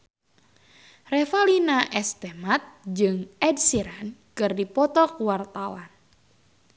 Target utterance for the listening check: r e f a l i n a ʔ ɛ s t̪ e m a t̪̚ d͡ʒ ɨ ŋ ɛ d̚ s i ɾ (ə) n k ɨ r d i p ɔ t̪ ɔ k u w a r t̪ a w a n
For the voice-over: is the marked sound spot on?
no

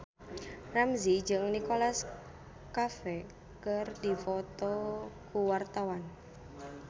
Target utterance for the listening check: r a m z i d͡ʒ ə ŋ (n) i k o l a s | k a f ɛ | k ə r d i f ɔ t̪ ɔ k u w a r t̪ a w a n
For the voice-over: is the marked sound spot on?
yes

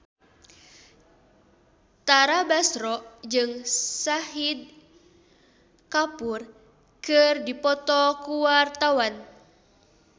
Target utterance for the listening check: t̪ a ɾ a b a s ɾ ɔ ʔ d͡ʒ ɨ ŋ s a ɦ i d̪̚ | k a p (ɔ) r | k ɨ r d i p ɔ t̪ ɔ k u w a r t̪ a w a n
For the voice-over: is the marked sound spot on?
no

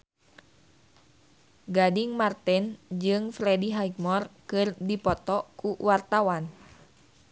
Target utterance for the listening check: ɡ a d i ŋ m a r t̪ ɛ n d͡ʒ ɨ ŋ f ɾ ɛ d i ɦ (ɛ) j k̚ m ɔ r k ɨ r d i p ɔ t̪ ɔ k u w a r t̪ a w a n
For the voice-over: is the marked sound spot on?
no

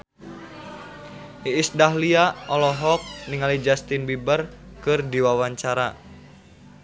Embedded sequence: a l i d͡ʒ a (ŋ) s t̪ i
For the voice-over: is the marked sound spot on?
no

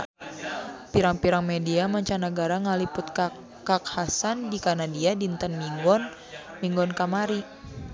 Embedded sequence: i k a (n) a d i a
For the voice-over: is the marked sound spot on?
yes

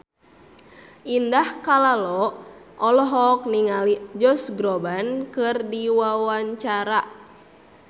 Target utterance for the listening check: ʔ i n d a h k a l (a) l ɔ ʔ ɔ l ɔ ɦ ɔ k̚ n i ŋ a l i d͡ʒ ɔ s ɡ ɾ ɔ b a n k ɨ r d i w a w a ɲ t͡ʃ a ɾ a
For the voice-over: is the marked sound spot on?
yes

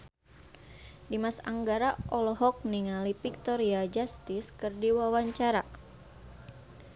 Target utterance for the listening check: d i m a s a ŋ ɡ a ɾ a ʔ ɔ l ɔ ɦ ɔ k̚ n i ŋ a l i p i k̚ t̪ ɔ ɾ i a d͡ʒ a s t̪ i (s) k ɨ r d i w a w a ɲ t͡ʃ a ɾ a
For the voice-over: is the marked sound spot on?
yes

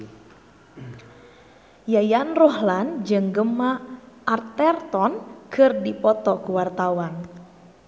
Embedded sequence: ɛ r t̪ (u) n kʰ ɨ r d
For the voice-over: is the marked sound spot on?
no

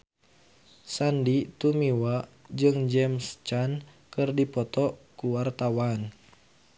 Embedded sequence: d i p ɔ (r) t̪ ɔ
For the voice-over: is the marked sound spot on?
no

